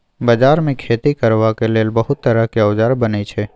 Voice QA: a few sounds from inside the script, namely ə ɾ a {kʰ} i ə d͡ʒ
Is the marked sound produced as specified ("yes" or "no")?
no